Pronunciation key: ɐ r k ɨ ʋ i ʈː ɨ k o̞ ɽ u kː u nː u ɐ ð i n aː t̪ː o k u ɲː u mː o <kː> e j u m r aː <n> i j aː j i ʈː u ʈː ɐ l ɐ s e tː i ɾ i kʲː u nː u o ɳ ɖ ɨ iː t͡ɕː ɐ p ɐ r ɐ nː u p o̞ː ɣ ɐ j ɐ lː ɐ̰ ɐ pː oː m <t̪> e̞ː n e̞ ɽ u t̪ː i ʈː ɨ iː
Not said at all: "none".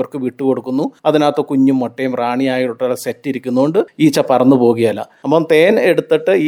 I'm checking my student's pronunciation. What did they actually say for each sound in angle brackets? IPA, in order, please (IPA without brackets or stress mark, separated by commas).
ʈː, ɳ, t̪